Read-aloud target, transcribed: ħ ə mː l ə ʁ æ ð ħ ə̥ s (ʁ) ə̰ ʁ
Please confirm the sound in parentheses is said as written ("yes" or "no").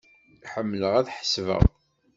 no